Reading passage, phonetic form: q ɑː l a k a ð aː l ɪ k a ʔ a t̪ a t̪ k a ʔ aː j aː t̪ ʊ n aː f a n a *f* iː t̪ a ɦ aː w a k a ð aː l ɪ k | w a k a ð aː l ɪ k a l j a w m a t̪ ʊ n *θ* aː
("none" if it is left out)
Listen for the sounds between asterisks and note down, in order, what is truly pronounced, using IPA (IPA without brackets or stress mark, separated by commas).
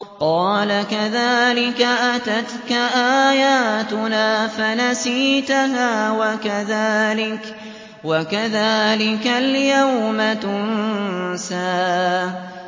s, s